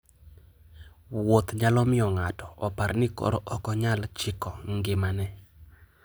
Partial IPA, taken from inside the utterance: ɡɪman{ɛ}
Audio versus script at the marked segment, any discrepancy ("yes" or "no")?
no